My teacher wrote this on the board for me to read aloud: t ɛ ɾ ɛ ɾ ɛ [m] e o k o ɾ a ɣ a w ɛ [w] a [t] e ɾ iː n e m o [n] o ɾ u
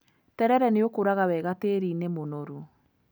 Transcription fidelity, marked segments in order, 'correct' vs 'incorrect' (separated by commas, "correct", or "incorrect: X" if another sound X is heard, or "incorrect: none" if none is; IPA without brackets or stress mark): incorrect: n, incorrect: ɣ, correct, correct